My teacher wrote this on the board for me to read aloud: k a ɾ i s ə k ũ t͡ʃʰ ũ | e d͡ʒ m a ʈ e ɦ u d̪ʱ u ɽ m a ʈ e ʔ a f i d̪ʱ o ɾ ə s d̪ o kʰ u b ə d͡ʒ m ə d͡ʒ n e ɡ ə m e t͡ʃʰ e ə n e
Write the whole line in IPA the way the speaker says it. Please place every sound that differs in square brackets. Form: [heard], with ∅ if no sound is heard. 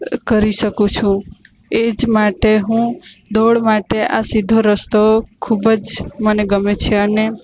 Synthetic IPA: k [ə] ɾ i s ə k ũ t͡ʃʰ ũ | e d͡ʒ m a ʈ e ɦ [ũ] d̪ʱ [o] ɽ m a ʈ e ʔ a [s] i d̪ʱ o ɾ ə s [t̪] o kʰ u b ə d͡ʒ m ə [∅] n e ɡ ə m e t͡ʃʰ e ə n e